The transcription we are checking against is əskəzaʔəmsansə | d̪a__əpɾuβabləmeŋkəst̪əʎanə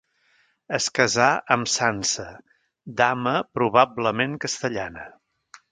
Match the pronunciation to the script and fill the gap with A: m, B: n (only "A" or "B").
A